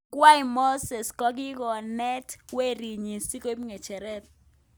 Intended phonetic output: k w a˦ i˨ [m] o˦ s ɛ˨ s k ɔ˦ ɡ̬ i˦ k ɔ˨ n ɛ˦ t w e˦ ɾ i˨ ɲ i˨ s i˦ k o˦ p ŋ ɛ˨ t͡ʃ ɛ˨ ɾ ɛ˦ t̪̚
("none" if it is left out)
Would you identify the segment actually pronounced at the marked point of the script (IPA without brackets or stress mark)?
m